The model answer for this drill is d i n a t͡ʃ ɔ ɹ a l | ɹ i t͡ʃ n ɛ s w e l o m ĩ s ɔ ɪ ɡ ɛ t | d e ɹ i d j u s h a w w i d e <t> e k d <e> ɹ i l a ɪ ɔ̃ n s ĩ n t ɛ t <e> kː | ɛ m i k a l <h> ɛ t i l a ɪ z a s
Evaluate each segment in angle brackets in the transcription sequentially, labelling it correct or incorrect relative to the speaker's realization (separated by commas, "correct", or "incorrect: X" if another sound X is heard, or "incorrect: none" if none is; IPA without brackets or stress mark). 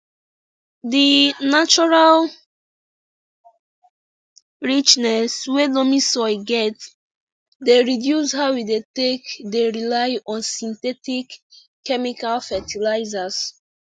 correct, correct, incorrect: i, incorrect: f